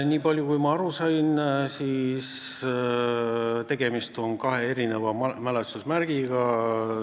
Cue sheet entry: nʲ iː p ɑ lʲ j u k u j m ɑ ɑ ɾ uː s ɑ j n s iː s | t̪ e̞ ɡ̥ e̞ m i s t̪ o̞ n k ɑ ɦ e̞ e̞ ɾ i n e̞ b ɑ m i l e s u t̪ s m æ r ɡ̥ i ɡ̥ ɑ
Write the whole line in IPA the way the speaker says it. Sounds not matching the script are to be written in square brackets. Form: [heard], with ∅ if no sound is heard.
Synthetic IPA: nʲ iː p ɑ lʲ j u k u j m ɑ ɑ ɾ [u] s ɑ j n s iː s | t̪ e̞ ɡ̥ e̞ m i s t̪ o̞ n k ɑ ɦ e̞ e̞ ɾ i n e̞ [v] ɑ m [æ] l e s u [∅] s m æ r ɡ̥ i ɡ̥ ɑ

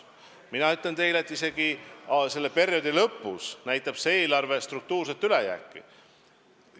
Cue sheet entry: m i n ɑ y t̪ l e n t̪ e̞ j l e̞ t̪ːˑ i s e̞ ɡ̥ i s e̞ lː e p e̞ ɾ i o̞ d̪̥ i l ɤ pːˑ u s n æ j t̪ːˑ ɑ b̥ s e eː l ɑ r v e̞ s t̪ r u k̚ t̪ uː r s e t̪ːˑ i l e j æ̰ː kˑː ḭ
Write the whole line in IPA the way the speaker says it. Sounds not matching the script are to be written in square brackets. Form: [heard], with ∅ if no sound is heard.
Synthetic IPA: m i n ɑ y t̪ l e n t̪ e̞ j l e̞ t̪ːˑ i s e̞ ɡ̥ i s e̞ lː e p e̞ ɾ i o̞ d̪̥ i l ɤ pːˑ u s n æ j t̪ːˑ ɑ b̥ s e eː l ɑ r v e̞ s t̪ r u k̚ t̪ uː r s e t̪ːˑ [y] l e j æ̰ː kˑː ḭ

